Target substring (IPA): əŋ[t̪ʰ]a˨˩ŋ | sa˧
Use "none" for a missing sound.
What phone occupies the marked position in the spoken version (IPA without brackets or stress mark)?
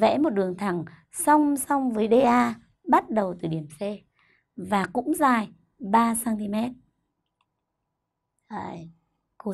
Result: t̪ʰ